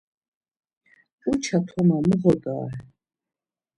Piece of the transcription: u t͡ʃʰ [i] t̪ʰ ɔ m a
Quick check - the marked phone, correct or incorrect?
incorrect